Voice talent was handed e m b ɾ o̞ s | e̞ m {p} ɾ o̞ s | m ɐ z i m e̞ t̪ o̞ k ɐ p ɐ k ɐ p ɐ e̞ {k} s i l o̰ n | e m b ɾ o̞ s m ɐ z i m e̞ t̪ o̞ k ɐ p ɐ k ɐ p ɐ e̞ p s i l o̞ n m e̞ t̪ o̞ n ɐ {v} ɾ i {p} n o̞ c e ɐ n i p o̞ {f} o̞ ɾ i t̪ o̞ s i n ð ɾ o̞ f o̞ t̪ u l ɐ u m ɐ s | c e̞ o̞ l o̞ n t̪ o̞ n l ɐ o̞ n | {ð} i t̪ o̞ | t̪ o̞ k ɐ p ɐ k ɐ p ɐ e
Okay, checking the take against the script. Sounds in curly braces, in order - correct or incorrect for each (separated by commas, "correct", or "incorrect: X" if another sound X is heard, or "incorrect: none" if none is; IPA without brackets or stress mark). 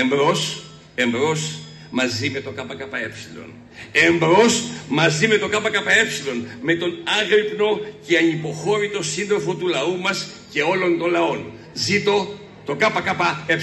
incorrect: b, incorrect: p, incorrect: ɣ, correct, incorrect: x, incorrect: z